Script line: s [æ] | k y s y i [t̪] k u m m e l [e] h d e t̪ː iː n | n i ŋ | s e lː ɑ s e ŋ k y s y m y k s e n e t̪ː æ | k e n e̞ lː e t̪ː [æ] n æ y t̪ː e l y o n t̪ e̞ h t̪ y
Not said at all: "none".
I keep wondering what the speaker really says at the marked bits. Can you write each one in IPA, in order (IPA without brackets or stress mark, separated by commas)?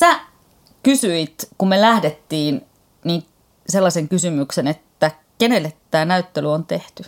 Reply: æ, t̪, æ, æː